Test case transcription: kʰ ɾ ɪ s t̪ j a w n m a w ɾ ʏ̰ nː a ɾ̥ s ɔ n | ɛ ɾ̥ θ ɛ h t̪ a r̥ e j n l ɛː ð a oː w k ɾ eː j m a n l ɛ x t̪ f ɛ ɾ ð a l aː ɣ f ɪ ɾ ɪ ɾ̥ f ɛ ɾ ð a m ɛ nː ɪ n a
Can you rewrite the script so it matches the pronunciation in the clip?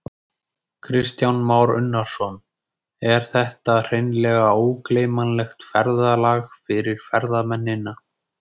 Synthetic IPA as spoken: kʰ ɾ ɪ s t̪ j a w n m a w ɾ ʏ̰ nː a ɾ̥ s ɔ n | ɛ ɾ̥ θ ɛ h t̪ a r̥ e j n l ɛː ɣ a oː w k l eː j m a n l ɛ x t̪ f ɛ ɾ ð a l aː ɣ f ɪ ɾ ɪ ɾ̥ f ɛ ɾ ð a m ɛ nː ɪ n a